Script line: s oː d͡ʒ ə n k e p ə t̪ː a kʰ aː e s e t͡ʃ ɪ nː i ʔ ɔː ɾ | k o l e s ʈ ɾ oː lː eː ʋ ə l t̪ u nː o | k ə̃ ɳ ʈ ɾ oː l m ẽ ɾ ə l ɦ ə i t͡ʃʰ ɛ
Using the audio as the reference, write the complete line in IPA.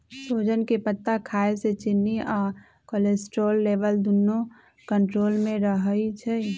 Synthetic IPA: s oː d͡ʒ ə n k e p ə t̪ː a kʰ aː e s e t͡ʃ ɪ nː i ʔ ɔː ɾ | k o l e s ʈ ɾ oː lː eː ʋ ə l d̪ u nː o | k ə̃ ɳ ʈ ɾ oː l m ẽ ɾ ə ɦ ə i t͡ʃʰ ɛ